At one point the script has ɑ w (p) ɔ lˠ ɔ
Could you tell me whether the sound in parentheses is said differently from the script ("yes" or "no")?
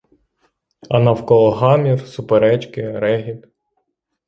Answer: yes